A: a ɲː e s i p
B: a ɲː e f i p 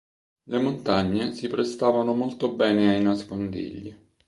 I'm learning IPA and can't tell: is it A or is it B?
A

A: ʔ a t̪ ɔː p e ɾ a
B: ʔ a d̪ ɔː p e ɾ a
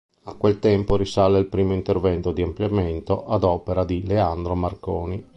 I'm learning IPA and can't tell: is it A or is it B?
B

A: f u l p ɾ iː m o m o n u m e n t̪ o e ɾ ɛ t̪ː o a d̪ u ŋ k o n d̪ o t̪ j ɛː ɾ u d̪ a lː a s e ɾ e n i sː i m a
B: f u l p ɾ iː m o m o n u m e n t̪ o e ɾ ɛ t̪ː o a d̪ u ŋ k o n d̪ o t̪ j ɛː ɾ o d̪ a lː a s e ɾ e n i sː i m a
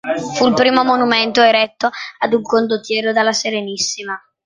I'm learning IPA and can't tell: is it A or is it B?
B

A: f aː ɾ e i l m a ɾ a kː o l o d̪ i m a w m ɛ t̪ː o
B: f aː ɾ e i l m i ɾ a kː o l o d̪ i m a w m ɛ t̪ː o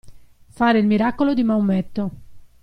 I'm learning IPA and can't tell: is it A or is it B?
B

